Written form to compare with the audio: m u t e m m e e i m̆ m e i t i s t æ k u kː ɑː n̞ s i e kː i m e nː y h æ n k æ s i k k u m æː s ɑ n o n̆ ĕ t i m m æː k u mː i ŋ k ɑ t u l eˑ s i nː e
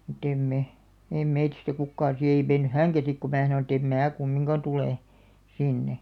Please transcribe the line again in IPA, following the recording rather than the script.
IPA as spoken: m u t e m m e e i m̆ m e i t i s t æ k u kː ɑː n̞ s i e i m e nː y h æ ŋ k æ s i k k u m æː s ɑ n o n̆ ĕ t e m m æː k u mː i ŋ k ɑ t u l eˑ s i nː e

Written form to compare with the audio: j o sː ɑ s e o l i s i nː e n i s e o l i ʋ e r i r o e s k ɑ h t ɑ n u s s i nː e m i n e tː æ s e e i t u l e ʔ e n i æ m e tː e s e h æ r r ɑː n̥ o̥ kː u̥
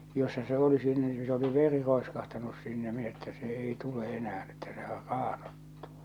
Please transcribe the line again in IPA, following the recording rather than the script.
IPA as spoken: j o sː ɑ s e o l i s i nː e n i s e o l i ʋ e r i r o e s k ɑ h t ɑ n u s s i nː e m i n e tː æ s e e i t u l e ʔ e n æ æ n e tː æ s e h æ r r ɑː n̥ o̥ tː u̥

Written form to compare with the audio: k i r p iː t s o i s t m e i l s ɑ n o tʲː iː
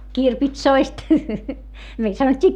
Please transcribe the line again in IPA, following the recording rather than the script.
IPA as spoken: k i r p i t s o i s t m e i l s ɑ n o tʲː iː

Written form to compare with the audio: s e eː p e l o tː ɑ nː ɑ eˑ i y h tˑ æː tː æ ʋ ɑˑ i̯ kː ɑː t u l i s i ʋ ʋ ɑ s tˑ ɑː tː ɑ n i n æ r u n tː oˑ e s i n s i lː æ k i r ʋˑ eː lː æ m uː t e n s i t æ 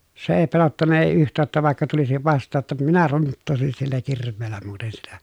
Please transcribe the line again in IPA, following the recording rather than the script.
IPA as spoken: s e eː p e l o tː ɑ nː ɑ eˑ i y h tˑ æː tː æ ʋ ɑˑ i̯ kː ɑ t u l i s i ʋ ʋ ɑ s tˑ ɑː tː ɑ m i n æ r u n tː oˑ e s i n s i lː æ k i r ʋˑ eː lː æ m uː t e n s i t æ

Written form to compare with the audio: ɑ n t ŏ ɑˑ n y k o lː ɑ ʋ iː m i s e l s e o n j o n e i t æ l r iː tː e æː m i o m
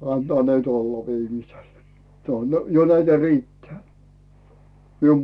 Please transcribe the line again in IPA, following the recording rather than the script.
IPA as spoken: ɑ n t ŏ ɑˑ n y t o lː ɑ ʋ iː m i s e l s e o n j o n æ i t æ r iː tː e æː m i u m

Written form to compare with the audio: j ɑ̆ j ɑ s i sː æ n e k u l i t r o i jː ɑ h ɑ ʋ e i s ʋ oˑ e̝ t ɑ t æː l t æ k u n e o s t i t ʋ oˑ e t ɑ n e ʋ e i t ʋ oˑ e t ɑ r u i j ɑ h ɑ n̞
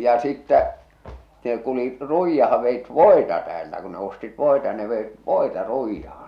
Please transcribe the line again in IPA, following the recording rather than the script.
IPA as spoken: j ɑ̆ j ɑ s i tː æ n e k u l i t r u i jː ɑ h ɑ ʋ e i t ʋ oˑ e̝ t ɑ t æː l t æ k u n e o s t i t ʋ oˑ e t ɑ n e ʋ e i t ʋ oˑ e t ɑ r u i jː ɑ h ɑ n̞

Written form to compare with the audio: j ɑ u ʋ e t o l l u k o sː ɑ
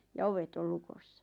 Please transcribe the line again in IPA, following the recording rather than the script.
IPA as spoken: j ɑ o ʋ e t o l l u k o sː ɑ

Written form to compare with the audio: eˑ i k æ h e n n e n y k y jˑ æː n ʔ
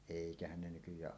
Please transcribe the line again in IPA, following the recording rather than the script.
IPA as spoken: eˑ i k æ h æ n n e n y k y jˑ æː ʔ

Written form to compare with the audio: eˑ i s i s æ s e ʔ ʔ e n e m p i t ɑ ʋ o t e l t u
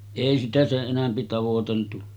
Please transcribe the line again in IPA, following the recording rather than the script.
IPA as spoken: eˑ i s i t æ s e ʔ ʔ e n æ m p i t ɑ ʋ o t e l t u

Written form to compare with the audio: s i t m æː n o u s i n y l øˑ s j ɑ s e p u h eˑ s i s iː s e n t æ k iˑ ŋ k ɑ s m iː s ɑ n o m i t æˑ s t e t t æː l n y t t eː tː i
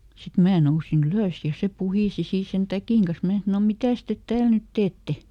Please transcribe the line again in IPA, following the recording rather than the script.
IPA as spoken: s i t m æː n o u s i n y l øˑ s j ɑ s e p u h iˑ s i s iː s e n t æ k iˑ ŋ k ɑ s m æː s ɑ n o m i t æˑ s t e t t æː l n y t t eː tː e

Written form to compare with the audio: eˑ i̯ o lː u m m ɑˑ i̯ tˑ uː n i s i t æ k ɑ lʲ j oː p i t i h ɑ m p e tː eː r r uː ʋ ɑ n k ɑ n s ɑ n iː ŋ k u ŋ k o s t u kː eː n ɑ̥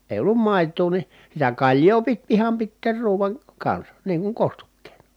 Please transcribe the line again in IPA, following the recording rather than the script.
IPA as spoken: eˑ i̯ o lː u m m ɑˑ i̯ tˑ uː n i s i t æ k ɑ lʲ j oː p i t i h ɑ m p i tː eː r r uː ʋ ɑ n k ɑ n s ɑ n iː ŋ k u ŋ k o s t u kː eː n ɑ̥

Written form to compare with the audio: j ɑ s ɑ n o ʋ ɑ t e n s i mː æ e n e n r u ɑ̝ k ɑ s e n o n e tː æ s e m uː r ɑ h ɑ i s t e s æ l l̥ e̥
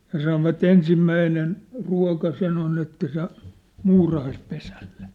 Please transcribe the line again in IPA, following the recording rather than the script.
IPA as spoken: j ɑ s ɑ n o ʋ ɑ t e n s i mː æ i n e n r u ɑ̝ k ɑ s e n o n e tː æ s e m uː r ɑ h ɑ i s p e s æ l l̥ e̥

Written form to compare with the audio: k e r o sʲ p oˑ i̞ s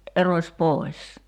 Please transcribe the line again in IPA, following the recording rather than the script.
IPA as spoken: ʔ e r o sʲ p oˑ i̞ s

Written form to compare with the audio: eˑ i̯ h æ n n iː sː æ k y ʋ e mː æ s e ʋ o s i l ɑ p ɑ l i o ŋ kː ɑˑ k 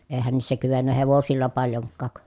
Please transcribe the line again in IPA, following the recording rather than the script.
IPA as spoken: eˑ i̯ h æ n n iː sː æ k y ʋ e nː æ h e ʋ o s i lː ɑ p ɑ l j o ŋ kː ɑˑ k

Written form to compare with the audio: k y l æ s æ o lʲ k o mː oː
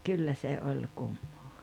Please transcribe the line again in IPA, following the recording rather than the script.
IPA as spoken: k y lː æ s e o lʲ k u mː oː

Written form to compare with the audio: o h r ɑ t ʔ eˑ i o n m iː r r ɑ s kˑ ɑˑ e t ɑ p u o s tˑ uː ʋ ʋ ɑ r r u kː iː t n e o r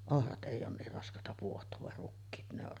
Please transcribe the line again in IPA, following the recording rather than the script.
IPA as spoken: o h r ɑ t ʔ eˑ i oː n n iː r r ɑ s kˑ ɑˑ e t ɑ p u o h tˑ oː ʋ ʋ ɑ r r u kː iː t n e o r

